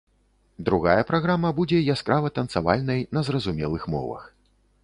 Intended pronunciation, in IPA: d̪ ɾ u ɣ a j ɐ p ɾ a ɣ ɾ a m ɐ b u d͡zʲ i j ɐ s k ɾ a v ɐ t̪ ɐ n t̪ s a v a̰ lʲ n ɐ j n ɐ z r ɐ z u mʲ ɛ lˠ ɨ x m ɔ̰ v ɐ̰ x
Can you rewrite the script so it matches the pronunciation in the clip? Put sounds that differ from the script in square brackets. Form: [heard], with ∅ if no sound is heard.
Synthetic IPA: d̪ ɾ u ɣ a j ɐ p ɾ a ɣ ɾ a m ɐ b u d͡zʲ [ɛ] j [a] s k ɾ a v ɐ t̪ ɐ n t̪ s a v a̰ lʲ n ɐ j n ɐ z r ɐ z u mʲ ɛ lˠ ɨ x m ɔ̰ v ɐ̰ x